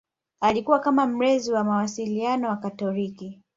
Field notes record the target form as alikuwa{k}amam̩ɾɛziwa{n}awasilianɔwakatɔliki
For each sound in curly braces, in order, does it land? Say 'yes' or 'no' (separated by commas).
yes, no